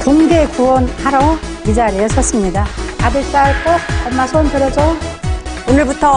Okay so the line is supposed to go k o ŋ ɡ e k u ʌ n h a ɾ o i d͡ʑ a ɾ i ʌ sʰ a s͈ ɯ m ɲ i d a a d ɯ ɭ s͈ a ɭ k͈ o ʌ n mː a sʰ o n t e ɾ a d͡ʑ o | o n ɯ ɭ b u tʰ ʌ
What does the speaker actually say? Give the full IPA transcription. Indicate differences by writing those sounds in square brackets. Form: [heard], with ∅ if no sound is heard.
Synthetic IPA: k o ŋ ɡ e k u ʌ n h a ɾ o i d͡ʑ a ɾ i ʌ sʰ [ʌ] s͈ ɯ m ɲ i d a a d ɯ ɭ s͈ a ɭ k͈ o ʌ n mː a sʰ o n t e ɾ [ʌ] d͡ʑ o | o n ɯ ɭ b u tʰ ʌ

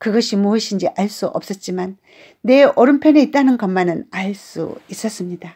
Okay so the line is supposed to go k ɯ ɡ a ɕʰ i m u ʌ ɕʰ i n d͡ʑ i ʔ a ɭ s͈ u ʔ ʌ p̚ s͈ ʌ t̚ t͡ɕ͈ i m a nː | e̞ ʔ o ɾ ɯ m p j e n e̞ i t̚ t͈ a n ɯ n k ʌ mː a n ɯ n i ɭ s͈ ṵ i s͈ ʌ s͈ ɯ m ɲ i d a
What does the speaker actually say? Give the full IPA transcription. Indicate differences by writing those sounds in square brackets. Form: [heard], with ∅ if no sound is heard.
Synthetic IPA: k ɯ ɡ [ʌ] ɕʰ i m u ʌ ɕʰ i n d͡ʑ i ʔ a ɭ s͈ u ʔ ʌ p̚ s͈ ʌ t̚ t͡ɕ͈ i m a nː | e̞ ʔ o ɾ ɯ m [pʰ] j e n e̞ i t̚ t͈ a n ɯ n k ʌ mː a n ɯ n [a] ɭ s͈ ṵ i s͈ ʌ s͈ ɯ m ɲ i d a

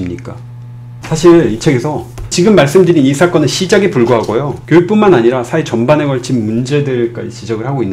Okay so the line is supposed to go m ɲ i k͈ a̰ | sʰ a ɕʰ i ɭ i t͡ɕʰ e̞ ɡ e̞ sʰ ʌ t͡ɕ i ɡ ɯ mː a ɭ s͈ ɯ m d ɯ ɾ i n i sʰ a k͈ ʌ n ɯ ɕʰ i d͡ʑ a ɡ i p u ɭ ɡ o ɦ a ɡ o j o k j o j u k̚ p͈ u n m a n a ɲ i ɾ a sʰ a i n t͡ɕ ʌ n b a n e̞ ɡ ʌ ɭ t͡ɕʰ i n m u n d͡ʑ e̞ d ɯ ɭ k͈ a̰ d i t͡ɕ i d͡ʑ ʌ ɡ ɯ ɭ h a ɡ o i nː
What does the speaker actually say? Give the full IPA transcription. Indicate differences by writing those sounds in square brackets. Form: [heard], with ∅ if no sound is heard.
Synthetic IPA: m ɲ i k͈ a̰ | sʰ a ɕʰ i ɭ i t͡ɕʰ e̞ ɡ e̞ sʰ ʌ t͡ɕ i ɡ ɯ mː a ɭ s͈ ɯ m d ɯ ɾ i n i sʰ a k͈ ʌ n ɯ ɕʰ i d͡ʑ a ɡ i p u ɭ ɡ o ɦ a ɡ o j o k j o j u k̚ p͈ u n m a n a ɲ i ɾ a sʰ a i [∅] t͡ɕ ʌ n b a n e̞ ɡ ʌ ɭ t͡ɕʰ i n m u n d͡ʑ e̞ d ɯ ɭ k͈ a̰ [d͡ʑ] i t͡ɕ i d͡ʑ ʌ ɡ ɯ ɭ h a ɡ o i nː

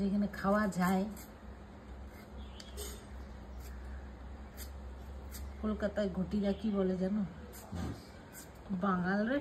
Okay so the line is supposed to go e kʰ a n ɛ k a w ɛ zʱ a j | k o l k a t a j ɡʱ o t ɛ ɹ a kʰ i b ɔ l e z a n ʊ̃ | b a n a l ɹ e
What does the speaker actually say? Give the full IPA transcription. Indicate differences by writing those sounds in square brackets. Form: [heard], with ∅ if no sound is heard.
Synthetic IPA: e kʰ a n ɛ [kʰ] a w [a] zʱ a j | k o l k a t a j ɡʱ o t [i] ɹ a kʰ i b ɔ l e z a n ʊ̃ | b a [ŋ] a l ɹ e

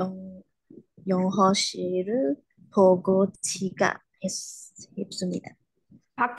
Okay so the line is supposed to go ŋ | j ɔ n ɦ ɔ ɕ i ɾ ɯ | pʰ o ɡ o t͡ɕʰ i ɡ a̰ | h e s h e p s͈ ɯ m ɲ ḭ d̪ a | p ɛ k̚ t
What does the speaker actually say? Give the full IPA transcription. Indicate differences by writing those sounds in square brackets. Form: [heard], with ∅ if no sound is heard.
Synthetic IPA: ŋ | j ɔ [ŋ] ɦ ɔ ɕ i ɾ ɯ | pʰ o ɡ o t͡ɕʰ i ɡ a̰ | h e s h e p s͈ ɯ m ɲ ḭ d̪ a | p [a] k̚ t

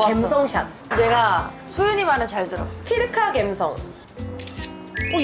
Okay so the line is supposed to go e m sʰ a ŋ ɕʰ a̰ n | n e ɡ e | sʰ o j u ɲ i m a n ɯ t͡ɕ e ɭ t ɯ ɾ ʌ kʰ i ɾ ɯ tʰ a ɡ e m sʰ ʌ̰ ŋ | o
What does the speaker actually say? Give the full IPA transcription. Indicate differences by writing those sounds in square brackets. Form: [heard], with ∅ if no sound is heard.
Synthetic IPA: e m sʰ [ʌ] ŋ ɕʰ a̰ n | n e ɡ [a] | sʰ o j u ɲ i m a n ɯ t͡ɕ [a] ɭ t ɯ ɾ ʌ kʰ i ɾ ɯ [kʰ] a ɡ e m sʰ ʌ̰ ŋ | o

